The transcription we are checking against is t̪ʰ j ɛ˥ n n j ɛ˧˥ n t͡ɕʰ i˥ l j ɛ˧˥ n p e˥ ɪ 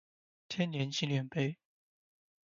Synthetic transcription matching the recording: t̪ʰ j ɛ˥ n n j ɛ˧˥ n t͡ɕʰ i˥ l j ɛ˨˩ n p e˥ ɪ